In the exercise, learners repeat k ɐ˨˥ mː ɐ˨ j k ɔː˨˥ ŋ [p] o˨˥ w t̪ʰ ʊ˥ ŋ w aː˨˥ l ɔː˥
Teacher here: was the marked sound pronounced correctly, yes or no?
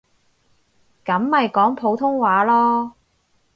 no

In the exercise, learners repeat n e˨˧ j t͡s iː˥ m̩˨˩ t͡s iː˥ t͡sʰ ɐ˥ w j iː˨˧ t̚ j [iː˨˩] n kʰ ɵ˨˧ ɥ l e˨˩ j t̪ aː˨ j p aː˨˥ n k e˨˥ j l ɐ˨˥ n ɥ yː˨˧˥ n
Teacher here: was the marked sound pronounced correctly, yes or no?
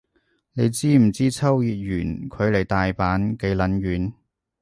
no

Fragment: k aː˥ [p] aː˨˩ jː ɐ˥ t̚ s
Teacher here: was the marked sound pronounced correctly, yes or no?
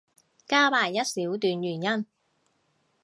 yes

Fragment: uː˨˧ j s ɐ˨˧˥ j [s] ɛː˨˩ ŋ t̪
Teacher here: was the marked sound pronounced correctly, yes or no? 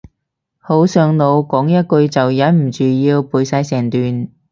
yes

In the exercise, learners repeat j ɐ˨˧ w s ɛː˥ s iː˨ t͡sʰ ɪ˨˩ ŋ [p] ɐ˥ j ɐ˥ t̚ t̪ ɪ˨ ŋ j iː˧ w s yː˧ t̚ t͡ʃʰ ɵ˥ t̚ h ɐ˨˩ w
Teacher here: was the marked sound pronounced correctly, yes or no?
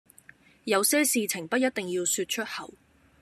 yes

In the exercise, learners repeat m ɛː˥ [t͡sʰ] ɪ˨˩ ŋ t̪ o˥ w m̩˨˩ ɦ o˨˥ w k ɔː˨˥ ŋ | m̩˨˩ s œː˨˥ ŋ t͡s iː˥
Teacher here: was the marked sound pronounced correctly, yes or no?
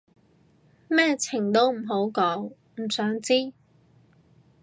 yes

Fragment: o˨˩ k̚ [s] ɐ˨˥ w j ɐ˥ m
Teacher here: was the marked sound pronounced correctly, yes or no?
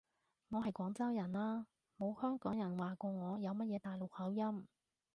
no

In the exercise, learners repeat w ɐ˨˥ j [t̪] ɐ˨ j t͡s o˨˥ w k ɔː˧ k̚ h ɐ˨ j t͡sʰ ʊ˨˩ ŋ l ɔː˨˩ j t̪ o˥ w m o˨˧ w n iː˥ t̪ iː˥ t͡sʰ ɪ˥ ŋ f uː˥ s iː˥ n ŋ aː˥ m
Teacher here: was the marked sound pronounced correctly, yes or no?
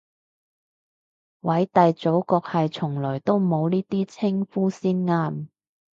yes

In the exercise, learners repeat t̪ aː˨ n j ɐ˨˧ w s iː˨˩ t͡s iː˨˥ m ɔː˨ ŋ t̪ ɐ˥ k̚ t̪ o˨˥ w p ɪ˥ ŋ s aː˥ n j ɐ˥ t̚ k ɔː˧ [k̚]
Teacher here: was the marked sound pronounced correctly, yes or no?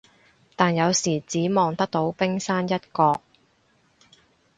yes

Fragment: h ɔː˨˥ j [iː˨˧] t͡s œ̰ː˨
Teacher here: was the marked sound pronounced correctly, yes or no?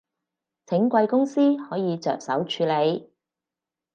yes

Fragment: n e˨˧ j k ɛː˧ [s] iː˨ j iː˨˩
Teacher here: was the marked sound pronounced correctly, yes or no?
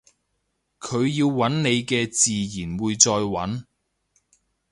no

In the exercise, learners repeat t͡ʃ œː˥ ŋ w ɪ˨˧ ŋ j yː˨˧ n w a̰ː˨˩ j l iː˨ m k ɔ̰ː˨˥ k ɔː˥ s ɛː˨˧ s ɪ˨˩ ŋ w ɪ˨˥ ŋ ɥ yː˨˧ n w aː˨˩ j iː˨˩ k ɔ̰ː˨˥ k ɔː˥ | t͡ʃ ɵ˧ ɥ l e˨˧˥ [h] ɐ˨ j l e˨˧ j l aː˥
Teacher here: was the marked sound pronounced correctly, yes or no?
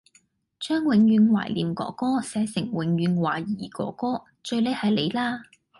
yes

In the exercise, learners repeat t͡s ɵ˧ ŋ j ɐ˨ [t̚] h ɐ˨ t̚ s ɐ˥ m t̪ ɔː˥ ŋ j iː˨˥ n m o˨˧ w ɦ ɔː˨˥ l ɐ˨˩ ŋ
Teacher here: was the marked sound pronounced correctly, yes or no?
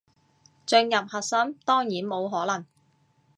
no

